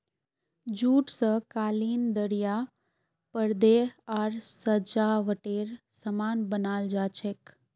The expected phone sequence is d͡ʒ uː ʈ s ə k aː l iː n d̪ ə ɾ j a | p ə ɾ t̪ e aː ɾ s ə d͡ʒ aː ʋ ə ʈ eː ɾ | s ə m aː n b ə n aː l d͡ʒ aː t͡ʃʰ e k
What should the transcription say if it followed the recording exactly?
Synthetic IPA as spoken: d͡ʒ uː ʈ s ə k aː l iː n d̪ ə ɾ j a | p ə ɾ d̪ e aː ɾ s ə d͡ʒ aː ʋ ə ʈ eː ɾ | s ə m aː n b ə n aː l d͡ʒ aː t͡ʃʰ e k